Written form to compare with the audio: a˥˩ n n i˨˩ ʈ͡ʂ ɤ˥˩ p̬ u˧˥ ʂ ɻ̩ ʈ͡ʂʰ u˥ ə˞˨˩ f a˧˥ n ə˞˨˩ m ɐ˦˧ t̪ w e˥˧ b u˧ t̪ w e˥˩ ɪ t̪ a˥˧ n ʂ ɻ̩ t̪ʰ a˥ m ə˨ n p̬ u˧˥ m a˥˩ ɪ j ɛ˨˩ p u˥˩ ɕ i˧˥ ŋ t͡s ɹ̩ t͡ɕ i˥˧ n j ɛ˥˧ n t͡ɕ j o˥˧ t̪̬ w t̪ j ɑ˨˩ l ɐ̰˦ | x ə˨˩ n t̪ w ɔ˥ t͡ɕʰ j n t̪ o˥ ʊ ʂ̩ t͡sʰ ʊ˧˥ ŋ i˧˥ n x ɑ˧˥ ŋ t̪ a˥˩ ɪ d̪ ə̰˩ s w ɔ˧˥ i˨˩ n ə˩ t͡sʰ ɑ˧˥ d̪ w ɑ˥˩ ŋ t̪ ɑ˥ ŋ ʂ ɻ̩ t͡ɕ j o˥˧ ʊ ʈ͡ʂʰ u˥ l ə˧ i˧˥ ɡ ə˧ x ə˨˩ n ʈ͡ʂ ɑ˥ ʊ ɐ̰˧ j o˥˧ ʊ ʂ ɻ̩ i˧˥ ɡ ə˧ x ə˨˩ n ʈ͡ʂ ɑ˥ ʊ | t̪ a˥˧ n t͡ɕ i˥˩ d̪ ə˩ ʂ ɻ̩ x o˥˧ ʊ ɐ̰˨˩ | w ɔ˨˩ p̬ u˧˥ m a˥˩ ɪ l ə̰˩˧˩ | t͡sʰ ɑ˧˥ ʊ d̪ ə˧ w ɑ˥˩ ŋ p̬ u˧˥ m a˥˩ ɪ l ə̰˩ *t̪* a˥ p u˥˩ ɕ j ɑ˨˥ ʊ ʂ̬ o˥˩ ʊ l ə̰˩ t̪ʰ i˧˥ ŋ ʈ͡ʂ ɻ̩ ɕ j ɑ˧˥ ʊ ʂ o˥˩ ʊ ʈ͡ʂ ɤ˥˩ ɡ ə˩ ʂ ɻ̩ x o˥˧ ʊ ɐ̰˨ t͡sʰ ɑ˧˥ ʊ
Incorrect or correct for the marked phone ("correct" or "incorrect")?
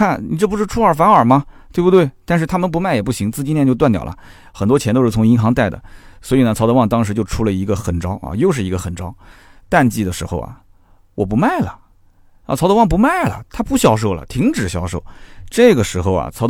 incorrect